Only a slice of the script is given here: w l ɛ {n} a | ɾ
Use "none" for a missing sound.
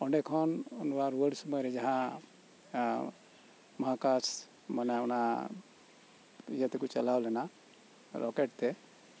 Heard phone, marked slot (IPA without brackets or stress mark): n